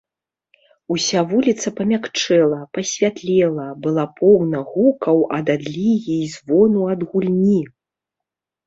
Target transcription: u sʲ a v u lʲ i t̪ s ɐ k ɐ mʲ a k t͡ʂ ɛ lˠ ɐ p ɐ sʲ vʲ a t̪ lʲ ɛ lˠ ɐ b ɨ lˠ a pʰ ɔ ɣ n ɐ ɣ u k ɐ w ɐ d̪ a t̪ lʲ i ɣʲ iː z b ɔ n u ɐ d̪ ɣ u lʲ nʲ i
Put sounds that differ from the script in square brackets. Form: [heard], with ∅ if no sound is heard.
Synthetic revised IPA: u sʲ a v u lʲ i t̪ s ɐ [p] ɐ mʲ a k t͡ʂ ɛ lˠ ɐ p ɐ sʲ vʲ a t̪ lʲ ɛ lˠ ɐ b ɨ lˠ a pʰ ɔ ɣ n ɐ ɣ u k ɐ w ɐ d̪ a [d̪] lʲ i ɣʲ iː z [v] ɔ n u ɐ d̪ ɣ u lʲ nʲ i